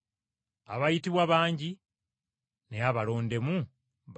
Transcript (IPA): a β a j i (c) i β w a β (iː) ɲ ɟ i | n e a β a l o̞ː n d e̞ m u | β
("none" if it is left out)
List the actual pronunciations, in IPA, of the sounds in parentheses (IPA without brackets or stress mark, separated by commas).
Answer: t, aː